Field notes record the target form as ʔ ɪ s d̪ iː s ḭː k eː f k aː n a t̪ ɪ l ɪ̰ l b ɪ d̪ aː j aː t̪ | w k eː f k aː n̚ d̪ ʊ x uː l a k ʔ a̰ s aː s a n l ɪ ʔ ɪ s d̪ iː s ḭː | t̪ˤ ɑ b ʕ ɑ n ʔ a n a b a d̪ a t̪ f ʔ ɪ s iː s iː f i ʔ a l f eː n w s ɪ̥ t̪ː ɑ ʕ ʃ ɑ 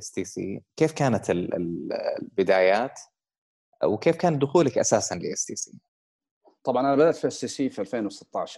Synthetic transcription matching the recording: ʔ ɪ s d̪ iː s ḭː k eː f k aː n a t̪ ɪ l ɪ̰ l b ɪ d̪ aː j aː t̪ | w k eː f k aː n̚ d̪ ʊ x uː l a k ʔ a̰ s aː s a n l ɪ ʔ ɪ s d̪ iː s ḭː | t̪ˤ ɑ b ʕ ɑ n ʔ a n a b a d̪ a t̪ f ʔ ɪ s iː s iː f i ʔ a l f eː n w s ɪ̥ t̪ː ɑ ʕ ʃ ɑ